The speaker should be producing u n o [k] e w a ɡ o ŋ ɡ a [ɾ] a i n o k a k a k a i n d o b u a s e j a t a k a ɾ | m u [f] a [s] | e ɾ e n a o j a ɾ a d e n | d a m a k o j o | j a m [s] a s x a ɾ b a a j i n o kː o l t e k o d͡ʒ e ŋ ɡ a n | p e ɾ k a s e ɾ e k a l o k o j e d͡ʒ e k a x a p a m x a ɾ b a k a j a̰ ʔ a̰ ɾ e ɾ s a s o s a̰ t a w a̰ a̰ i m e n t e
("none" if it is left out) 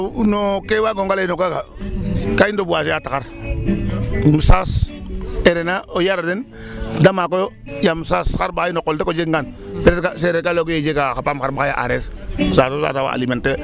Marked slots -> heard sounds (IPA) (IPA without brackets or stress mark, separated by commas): k, l, s, s, s